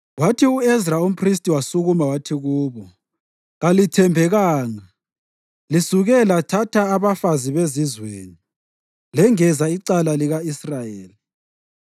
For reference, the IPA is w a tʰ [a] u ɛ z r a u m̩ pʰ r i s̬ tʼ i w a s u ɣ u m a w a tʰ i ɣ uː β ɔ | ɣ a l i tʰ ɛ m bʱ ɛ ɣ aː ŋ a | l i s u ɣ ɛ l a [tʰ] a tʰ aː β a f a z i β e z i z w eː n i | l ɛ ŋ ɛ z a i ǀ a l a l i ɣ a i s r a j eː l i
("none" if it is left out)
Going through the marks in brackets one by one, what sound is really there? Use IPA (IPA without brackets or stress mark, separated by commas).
i, tʰ